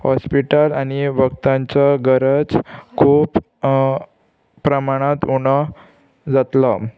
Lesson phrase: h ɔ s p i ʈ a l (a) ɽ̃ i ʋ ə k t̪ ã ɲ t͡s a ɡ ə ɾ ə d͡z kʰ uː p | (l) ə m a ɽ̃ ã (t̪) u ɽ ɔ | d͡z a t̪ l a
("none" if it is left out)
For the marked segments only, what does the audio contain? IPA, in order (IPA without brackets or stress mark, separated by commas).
a, ɾ, t̪